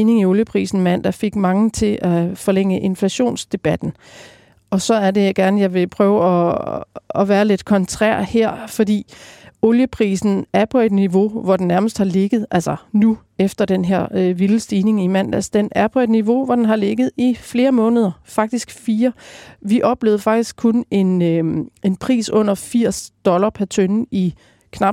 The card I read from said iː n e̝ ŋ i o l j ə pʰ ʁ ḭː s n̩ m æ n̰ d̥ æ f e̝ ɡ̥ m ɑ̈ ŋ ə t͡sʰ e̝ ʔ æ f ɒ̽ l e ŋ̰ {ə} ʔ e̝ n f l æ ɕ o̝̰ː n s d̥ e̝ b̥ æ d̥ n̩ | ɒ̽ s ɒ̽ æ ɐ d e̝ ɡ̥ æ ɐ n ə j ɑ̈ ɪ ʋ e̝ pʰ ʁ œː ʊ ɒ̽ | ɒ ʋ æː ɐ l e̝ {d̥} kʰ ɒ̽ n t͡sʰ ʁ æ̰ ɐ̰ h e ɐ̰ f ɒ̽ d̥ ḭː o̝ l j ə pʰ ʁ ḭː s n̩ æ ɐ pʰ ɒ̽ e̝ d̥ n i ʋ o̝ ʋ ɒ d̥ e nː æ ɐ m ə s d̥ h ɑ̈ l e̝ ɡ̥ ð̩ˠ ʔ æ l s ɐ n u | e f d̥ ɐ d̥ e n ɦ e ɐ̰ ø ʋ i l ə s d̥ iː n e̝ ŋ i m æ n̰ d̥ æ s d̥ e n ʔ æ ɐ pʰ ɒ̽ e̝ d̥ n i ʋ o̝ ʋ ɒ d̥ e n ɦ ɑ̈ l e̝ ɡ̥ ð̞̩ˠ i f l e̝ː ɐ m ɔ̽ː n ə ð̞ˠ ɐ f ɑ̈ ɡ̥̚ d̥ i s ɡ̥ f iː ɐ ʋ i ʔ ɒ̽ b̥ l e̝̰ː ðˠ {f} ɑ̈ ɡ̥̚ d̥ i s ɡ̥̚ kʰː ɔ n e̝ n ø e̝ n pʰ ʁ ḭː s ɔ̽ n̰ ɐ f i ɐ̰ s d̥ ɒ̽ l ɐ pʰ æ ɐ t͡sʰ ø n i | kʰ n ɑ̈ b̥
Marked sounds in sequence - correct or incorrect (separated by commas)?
correct, correct, correct